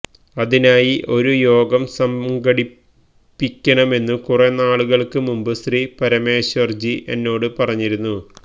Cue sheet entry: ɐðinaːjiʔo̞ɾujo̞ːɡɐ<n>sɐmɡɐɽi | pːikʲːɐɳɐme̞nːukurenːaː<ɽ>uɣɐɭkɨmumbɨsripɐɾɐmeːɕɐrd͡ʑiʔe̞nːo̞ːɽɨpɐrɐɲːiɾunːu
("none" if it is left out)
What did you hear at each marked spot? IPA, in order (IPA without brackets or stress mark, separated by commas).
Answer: m, ɭ